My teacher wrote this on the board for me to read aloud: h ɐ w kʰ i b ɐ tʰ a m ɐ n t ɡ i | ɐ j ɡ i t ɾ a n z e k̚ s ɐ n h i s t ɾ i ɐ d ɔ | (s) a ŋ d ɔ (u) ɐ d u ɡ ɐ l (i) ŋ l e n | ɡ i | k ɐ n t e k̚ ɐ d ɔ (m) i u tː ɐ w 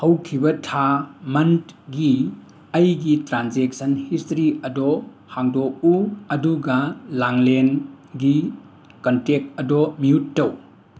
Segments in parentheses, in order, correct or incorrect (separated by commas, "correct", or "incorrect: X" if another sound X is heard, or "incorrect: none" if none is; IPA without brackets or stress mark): incorrect: h, correct, incorrect: a, correct